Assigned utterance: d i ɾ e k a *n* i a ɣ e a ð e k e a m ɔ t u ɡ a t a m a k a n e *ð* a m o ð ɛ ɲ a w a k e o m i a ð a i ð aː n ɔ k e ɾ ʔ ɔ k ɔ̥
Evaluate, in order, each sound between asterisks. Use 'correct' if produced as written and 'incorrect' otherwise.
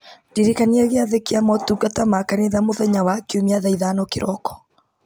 correct, correct

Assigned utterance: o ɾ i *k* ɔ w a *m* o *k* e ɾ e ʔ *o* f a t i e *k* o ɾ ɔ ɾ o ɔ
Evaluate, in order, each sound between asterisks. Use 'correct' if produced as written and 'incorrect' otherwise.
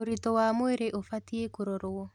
incorrect: t, correct, incorrect: none, correct, correct

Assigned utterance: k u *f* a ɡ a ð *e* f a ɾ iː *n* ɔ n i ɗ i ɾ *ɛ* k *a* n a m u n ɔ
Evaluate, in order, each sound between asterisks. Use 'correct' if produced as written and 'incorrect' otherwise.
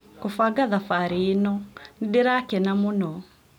correct, incorrect: a, correct, incorrect: a, incorrect: ɛ

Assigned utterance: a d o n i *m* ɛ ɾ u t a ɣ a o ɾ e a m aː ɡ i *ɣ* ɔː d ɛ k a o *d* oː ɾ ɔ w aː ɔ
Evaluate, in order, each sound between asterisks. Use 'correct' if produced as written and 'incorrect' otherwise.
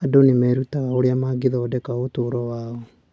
correct, incorrect: ð, incorrect: t

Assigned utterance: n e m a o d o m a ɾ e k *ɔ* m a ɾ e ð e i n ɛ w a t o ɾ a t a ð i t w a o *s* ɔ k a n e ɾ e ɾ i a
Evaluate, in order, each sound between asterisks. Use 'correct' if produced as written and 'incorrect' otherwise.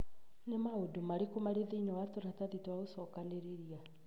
incorrect: o, correct

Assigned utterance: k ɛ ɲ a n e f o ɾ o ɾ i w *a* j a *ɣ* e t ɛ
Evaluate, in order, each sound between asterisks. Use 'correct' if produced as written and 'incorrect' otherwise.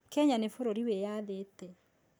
incorrect: e, incorrect: ð

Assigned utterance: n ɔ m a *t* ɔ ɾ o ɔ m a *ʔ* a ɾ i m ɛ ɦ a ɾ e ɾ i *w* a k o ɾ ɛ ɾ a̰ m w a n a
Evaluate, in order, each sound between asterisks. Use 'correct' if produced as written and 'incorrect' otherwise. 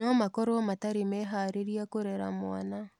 incorrect: k, incorrect: t, incorrect: none

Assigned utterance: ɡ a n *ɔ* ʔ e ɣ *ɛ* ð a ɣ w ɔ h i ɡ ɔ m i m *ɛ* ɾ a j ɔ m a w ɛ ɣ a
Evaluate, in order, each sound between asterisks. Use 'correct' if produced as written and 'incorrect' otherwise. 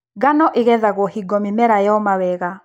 correct, correct, correct

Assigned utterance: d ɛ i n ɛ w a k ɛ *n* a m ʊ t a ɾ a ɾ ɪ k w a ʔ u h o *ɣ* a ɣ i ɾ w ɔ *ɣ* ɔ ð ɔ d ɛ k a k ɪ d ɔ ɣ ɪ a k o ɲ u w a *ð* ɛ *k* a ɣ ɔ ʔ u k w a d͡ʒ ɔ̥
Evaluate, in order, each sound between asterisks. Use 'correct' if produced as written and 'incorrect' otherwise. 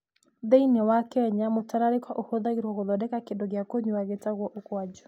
incorrect: ɲ, incorrect: ð, correct, incorrect: ɣ, incorrect: t

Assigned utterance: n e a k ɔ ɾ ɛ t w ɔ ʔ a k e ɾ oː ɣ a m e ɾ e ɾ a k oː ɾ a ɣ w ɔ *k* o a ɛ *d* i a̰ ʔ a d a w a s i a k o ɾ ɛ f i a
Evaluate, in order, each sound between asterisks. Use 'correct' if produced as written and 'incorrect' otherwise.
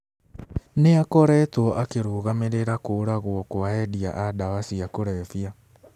correct, correct

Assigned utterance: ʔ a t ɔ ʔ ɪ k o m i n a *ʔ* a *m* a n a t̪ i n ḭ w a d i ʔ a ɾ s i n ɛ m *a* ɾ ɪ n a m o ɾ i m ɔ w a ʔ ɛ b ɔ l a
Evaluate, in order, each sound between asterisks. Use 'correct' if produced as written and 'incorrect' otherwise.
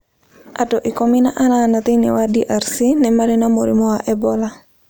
correct, incorrect: n, correct

